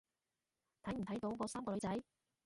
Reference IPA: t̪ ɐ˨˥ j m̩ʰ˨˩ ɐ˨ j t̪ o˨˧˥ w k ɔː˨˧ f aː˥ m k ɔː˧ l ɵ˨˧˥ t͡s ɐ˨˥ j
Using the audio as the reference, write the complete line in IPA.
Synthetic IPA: t̪ʰ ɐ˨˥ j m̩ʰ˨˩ ɐ˨˥ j t̪ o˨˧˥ w k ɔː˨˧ s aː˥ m k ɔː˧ l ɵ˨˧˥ t͡s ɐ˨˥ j